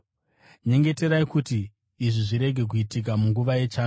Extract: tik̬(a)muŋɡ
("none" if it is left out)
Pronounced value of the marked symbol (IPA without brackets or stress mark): a